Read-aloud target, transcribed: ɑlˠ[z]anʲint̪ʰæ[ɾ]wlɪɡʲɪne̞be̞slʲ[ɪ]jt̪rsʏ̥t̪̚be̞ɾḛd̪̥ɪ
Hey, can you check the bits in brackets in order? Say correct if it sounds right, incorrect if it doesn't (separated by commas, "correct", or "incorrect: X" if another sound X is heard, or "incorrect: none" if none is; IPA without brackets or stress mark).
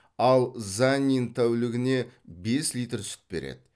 correct, incorrect: none, incorrect: i